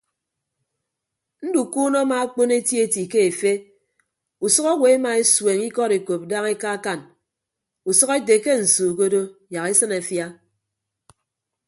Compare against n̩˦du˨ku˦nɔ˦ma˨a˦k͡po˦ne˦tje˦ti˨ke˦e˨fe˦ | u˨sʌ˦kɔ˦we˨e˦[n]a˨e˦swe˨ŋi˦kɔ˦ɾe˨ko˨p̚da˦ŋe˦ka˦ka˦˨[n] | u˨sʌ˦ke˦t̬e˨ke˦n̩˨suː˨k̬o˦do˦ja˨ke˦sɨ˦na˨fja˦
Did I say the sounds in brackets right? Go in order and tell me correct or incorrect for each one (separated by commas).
incorrect, correct